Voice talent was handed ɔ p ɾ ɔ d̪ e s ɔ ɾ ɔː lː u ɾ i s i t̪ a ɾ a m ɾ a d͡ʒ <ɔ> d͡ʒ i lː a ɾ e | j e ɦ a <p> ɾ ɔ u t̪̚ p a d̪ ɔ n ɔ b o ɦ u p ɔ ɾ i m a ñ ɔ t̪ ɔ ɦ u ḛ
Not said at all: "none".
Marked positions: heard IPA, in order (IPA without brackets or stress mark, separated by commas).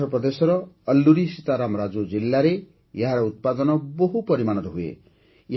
o, none